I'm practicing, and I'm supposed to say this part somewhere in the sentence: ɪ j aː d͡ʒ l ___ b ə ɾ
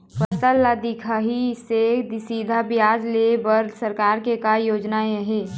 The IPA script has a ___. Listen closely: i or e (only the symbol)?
e